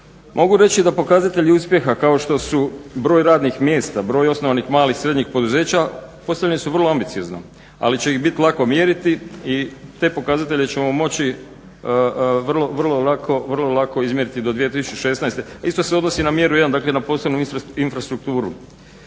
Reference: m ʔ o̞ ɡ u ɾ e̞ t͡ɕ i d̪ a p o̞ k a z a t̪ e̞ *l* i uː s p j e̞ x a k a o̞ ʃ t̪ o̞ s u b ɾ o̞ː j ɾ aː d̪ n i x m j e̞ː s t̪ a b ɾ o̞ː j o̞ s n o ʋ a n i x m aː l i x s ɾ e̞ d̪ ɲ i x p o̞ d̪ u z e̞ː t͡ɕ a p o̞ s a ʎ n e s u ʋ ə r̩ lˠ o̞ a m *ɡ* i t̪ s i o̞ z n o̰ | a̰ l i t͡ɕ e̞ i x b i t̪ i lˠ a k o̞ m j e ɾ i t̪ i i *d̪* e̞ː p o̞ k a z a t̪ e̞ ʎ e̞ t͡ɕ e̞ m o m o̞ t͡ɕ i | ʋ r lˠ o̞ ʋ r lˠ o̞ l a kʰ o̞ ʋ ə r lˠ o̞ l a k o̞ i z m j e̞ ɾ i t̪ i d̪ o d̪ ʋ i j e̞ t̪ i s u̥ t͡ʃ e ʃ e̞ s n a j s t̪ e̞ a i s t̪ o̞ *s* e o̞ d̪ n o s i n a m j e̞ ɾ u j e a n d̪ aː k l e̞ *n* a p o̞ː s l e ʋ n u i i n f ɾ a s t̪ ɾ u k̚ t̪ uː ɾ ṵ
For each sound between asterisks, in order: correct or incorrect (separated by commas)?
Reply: incorrect, incorrect, incorrect, correct, correct